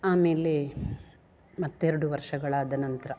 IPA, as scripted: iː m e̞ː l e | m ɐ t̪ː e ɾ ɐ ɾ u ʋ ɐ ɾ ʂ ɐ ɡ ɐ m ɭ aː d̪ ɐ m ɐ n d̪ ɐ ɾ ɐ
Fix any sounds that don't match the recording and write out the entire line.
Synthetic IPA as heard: aː m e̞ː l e | m ɐ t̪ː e ɾ ɐ ɽ u ʋ ɐ ɾ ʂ ɐ ɡ ɐ ɭ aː d̪ ɐ n ɐ n t̪ ɐ ɾ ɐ